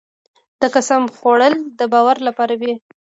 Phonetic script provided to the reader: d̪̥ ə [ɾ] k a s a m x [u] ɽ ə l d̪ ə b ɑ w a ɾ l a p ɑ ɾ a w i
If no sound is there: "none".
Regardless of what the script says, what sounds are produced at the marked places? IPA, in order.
none, o

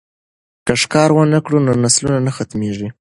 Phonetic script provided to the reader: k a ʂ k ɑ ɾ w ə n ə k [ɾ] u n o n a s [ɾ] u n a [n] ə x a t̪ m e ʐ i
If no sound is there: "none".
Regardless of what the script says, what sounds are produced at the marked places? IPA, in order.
ɽ, l, n

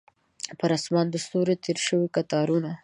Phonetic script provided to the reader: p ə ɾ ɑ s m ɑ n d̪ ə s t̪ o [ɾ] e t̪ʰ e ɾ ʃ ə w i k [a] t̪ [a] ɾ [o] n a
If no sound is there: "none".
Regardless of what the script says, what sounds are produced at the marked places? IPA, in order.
ɾ, a, ɑ, u

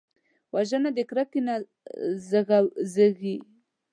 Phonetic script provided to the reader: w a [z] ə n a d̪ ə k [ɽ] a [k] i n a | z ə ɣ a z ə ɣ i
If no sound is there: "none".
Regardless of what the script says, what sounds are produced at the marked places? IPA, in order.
ʒ, ɾ, k

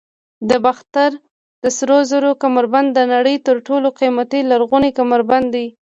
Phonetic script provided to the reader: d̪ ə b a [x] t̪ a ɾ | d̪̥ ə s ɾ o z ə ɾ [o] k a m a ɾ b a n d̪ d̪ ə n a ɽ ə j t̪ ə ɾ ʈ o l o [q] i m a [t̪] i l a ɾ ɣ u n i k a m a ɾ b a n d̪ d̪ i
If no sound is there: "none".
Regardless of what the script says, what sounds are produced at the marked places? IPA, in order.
x, o, q, t̪

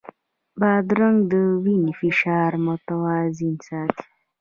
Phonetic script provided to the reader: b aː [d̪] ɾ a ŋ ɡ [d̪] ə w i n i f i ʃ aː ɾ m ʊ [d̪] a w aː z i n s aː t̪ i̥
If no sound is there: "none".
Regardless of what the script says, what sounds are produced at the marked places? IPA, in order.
d̪, d̪, t̪

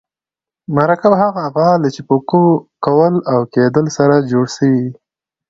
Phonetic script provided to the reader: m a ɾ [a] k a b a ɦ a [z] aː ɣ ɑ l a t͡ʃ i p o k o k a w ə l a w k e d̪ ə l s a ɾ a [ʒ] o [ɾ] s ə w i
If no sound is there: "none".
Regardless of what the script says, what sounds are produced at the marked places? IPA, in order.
a, ɣ, d͡ʒ, ɽ

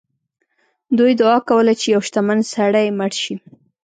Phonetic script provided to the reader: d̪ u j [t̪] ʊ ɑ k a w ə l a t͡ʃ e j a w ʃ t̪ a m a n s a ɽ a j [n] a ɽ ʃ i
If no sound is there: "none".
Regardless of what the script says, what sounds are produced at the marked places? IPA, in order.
d̪, m

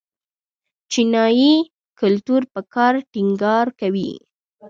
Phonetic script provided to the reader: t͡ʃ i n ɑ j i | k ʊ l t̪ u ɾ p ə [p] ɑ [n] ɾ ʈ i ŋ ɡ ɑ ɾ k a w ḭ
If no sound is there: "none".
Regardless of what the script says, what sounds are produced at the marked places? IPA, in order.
k, none

